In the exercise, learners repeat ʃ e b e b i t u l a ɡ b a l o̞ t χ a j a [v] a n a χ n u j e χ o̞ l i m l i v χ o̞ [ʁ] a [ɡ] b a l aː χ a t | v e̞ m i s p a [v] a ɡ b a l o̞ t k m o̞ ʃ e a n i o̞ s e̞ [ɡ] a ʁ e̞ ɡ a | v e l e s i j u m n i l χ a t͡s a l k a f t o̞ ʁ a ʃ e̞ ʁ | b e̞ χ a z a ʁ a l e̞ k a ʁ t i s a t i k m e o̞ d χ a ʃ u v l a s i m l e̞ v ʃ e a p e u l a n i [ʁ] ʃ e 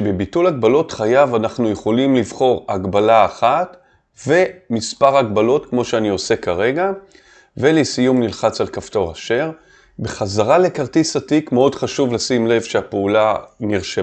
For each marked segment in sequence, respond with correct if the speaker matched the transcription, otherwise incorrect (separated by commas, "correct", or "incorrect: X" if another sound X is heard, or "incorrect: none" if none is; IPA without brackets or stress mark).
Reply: correct, correct, correct, incorrect: ʁ, incorrect: k, correct